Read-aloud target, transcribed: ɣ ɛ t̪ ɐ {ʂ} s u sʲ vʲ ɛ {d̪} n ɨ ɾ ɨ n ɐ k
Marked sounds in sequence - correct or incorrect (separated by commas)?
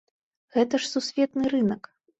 correct, incorrect